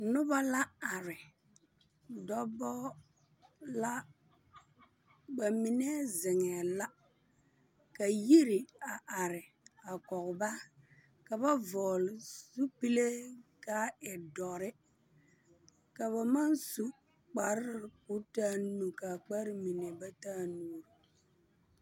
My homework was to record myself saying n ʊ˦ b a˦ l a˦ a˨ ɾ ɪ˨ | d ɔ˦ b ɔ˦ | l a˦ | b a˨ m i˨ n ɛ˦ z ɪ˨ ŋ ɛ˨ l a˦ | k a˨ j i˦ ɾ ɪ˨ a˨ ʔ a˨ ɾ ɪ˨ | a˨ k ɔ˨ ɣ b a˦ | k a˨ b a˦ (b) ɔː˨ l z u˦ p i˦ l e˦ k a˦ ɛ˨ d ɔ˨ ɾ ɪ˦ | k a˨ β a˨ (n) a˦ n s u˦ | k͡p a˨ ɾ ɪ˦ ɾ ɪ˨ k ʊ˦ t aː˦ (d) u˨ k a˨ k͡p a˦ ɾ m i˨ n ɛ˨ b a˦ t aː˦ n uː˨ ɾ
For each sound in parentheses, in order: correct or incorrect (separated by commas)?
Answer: incorrect, incorrect, incorrect